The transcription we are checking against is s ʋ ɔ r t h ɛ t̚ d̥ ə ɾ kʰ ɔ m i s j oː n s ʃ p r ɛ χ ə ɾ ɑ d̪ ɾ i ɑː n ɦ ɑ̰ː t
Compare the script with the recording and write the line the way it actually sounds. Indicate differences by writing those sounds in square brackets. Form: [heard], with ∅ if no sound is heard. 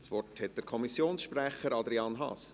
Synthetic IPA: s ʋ ɔ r t h ɛ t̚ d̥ ə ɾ kʰ ɔ m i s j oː n s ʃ p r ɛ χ ə ɾ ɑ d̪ ɾ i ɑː n ɦ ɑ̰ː [s]